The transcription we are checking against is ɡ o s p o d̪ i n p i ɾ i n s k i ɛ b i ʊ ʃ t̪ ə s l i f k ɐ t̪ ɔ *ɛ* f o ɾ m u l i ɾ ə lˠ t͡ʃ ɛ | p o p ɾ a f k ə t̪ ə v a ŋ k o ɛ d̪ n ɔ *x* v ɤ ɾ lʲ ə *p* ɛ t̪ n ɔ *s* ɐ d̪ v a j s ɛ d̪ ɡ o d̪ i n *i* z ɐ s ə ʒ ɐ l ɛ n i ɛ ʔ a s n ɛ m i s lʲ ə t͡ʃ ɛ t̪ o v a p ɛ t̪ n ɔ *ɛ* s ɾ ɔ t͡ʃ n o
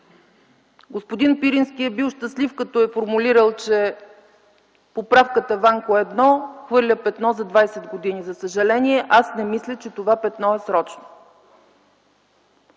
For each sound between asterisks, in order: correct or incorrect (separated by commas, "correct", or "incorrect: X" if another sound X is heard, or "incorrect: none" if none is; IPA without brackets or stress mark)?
correct, correct, correct, incorrect: z, correct, correct